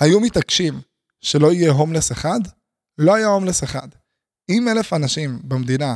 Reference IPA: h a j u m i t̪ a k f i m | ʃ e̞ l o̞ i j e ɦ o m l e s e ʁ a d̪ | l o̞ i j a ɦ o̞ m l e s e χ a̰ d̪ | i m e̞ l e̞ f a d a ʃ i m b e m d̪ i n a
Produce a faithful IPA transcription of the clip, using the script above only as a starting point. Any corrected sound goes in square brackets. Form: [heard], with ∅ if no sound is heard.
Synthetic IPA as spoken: h a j u m i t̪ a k [ʃ] i m | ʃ e̞ l o̞ i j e ɦ o m l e s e [χ] a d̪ | l o̞ [a] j a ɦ o̞ m l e s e χ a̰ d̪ | i m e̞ l e̞ f a [n] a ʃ i m b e m d̪ i n a